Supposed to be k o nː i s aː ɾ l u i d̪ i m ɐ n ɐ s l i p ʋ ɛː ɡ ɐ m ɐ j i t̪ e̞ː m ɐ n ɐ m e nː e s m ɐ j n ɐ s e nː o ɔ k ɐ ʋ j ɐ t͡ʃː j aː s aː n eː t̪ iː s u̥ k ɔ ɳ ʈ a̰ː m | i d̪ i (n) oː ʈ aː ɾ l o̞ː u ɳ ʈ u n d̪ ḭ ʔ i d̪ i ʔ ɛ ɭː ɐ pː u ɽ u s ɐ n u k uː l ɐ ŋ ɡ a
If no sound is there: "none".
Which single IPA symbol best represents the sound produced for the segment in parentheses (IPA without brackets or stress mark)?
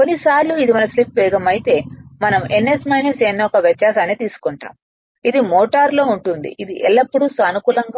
m